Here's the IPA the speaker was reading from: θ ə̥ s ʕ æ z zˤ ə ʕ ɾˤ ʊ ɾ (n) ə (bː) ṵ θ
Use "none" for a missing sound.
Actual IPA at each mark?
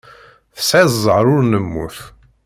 n, mː

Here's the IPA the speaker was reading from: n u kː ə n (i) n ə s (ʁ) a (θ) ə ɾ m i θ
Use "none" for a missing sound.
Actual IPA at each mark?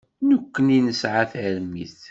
i, ʕ, θ

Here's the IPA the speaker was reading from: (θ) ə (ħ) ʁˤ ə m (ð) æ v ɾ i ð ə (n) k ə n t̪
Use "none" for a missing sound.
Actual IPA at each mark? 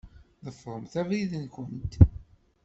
ð, f, θ, n

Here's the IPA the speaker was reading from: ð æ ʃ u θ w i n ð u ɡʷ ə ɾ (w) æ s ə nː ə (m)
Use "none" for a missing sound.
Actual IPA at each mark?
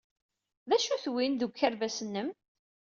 v, m

